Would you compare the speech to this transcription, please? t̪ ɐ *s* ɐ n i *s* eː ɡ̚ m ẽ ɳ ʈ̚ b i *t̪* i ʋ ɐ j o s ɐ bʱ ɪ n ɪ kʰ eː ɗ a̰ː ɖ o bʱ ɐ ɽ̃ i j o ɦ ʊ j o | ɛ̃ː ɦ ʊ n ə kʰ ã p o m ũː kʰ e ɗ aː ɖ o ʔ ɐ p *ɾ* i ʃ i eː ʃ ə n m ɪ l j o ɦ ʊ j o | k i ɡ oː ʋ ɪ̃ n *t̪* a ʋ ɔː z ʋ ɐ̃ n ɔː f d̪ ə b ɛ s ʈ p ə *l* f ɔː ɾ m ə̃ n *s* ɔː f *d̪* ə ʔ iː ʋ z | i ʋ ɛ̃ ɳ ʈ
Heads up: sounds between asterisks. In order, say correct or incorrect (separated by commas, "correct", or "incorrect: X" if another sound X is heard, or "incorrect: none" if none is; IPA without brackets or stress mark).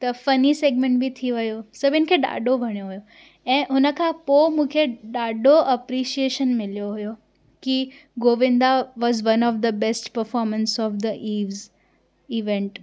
incorrect: f, correct, incorrect: t̪ʰ, correct, incorrect: d̪, incorrect: ɾ, correct, correct